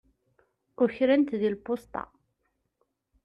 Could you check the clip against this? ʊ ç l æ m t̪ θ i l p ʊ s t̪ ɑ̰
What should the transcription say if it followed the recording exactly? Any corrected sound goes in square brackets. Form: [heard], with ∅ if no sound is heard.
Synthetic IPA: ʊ ç [ɾ] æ [n] t̪ [ð] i l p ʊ s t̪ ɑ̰